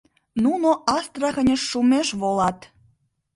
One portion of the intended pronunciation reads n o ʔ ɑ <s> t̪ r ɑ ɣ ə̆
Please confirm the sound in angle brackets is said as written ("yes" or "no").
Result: yes